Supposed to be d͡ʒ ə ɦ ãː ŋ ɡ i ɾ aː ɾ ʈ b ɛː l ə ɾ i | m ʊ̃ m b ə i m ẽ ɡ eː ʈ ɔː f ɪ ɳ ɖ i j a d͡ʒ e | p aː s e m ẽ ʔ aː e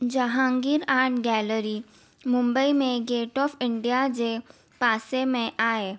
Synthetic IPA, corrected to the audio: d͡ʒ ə ɦ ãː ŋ ɡ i ɾ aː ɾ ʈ ɡ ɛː l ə ɾ i | m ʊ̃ m b ə i m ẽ ɡ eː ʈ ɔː f ɪ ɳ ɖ i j a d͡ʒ e | p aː s e m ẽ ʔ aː e